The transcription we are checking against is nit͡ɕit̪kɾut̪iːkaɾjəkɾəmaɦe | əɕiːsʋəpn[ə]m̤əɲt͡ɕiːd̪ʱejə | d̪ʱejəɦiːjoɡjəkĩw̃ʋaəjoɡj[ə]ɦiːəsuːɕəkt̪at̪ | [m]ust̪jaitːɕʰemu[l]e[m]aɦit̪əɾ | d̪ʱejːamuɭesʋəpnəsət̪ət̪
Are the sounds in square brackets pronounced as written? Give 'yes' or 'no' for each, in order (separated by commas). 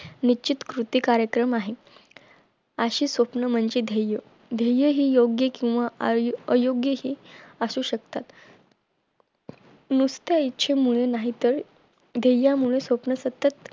yes, yes, no, no, no